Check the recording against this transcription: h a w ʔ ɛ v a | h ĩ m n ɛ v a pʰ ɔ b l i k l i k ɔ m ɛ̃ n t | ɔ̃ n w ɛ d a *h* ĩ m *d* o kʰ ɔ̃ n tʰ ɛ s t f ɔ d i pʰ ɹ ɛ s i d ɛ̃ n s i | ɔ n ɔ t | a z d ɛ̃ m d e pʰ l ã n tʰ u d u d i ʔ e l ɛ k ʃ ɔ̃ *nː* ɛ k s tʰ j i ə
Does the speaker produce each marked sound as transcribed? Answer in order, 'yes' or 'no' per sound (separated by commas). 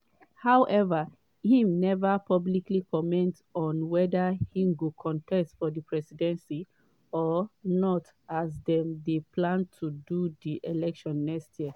yes, no, yes